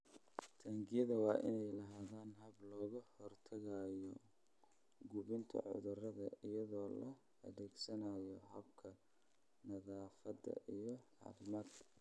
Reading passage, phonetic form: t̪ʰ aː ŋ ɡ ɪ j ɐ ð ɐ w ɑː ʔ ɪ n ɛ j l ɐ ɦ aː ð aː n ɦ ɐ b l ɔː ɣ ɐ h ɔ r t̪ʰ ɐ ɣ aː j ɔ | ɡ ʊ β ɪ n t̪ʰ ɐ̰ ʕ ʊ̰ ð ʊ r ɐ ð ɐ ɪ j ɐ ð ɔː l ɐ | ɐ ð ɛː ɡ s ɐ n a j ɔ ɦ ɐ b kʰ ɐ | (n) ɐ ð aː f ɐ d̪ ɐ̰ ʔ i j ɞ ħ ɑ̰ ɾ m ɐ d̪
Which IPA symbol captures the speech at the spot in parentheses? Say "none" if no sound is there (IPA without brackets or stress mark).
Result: n